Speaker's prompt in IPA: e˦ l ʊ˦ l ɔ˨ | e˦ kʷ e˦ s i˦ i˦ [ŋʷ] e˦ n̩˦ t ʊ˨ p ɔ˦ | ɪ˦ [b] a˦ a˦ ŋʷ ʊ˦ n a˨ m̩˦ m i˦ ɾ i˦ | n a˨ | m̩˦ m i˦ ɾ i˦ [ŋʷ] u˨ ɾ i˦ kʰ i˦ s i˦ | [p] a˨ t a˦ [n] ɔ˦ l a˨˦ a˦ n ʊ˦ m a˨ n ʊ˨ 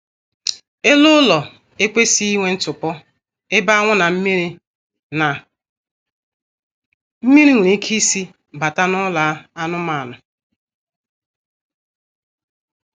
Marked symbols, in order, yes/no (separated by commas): yes, yes, yes, no, yes